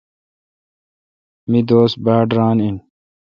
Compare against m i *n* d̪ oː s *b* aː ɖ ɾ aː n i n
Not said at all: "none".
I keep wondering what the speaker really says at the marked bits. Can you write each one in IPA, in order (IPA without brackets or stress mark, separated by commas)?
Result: none, b